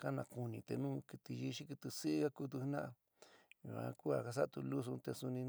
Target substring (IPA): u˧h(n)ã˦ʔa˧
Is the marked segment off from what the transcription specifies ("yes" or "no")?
no